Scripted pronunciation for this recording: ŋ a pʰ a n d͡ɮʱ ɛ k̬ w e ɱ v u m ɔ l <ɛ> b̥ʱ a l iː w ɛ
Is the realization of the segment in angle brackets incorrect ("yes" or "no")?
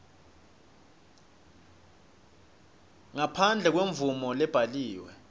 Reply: no